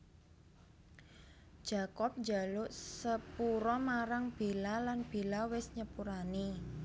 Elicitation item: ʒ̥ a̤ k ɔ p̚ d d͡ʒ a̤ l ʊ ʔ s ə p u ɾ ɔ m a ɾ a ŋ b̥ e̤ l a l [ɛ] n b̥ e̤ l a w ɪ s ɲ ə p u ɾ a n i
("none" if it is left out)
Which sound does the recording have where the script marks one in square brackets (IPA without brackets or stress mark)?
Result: a